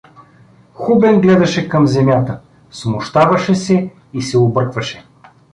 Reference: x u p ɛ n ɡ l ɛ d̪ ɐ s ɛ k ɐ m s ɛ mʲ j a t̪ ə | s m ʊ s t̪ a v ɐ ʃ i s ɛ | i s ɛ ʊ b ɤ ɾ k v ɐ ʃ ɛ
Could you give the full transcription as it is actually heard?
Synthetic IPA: x u b ɛ n ɡ l ɛ d̪ ɐ ʃ ɛ k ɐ m z ɛ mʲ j a t̪ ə | s m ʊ ʃ t̪ a v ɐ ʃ ɛ s ɛ | i s ɛ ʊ b ɤ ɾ k v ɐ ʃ ɛ